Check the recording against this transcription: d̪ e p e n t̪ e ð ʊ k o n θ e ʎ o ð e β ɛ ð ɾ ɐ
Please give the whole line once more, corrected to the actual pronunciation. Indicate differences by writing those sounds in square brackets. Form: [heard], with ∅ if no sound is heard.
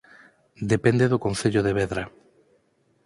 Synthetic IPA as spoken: d̪ e p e n [d̪] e ð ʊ k o n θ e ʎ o ð e β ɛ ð ɾ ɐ